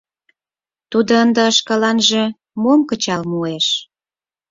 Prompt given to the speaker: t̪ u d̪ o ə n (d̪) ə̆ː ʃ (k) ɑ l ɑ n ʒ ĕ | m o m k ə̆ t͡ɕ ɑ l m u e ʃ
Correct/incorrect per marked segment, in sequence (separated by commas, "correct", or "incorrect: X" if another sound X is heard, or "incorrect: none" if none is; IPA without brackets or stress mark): correct, correct